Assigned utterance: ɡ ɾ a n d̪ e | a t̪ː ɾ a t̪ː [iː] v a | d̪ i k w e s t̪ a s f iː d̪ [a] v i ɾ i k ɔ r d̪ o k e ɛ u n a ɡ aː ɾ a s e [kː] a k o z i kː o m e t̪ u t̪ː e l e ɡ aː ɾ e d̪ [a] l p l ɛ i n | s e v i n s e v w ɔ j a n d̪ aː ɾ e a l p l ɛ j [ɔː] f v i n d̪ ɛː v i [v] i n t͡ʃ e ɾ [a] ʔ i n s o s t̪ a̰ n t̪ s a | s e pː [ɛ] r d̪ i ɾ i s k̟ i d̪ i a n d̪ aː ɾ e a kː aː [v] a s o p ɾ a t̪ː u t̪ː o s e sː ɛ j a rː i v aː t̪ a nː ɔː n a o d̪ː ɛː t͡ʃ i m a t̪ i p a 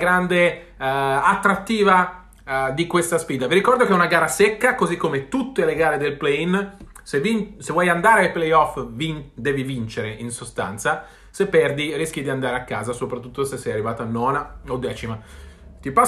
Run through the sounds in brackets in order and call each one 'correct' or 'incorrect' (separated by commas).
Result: correct, correct, correct, incorrect, incorrect, correct, incorrect, correct, incorrect